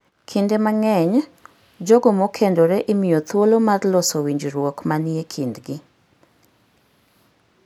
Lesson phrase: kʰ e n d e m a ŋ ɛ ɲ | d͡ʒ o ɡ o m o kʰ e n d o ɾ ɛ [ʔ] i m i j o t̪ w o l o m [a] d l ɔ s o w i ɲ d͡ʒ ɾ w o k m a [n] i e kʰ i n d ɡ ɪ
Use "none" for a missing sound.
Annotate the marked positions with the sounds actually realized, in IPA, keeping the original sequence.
ʔ, a, n

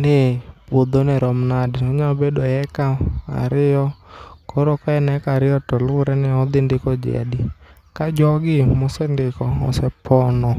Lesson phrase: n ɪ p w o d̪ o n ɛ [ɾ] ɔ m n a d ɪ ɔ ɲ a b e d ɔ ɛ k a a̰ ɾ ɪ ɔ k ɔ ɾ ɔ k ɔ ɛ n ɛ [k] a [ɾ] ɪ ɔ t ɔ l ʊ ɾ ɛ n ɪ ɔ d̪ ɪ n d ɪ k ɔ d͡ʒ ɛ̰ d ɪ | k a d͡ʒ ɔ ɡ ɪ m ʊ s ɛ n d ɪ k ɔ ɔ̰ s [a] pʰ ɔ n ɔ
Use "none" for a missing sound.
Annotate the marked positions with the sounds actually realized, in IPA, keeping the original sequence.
ɾ, k, ɾ, ɛ

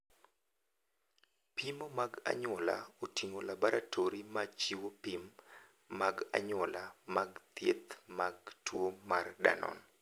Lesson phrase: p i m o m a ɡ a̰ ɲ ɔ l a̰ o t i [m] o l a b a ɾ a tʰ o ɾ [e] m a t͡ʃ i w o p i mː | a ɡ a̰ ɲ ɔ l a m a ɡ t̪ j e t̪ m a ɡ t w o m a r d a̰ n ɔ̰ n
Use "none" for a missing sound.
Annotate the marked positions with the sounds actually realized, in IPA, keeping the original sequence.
ŋ, i

